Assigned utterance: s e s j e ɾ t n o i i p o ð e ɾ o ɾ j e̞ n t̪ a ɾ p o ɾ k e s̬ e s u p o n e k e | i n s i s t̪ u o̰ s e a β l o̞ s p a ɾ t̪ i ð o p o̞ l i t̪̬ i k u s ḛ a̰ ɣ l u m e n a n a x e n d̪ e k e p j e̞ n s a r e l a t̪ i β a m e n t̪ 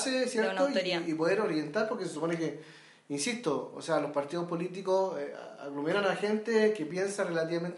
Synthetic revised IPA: s e s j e ɾ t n o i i p o ð e ɾ o ɾ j e̞ n t̪ a ɾ p o ɾ k e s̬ e s u p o n e k e | i n s i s t̪ o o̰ s e a l o̞ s p a ɾ t̪ i ð o p o̞ l i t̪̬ i k o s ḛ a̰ ɣ l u m e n a n a x e n t̪ e k e p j e̞ n s a r e l a t̪ i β a m e n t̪